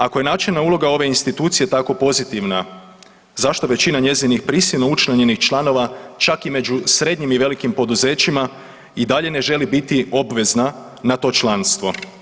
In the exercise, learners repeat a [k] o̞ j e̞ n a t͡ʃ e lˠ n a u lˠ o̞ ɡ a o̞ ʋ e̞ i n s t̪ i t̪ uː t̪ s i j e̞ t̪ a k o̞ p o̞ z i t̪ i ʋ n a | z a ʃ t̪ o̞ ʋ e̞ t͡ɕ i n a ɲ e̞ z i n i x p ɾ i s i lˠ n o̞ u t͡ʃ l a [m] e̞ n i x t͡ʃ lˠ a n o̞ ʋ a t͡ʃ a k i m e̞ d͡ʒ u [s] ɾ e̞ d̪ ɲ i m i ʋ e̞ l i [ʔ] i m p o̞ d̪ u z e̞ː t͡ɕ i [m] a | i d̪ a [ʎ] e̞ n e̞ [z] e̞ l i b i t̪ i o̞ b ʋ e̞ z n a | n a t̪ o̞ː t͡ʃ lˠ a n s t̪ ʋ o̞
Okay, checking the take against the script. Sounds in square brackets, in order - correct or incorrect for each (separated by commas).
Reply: correct, incorrect, correct, incorrect, correct, correct, incorrect